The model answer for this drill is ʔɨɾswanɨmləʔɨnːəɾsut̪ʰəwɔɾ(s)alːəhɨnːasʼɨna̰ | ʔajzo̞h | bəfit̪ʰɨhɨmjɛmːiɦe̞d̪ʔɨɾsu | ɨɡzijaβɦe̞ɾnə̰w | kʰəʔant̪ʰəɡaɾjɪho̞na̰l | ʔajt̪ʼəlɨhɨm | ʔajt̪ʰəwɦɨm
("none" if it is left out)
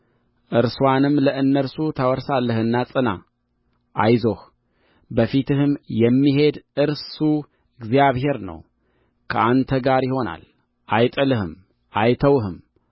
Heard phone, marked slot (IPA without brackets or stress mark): s